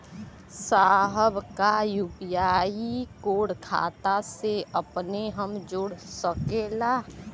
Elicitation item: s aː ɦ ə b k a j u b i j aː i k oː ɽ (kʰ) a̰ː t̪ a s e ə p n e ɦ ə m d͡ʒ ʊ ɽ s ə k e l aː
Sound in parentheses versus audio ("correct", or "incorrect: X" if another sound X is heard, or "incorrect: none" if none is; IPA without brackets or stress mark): correct